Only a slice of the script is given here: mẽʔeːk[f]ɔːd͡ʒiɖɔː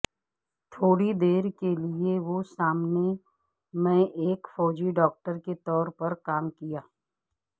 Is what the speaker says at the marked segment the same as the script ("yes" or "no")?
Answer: yes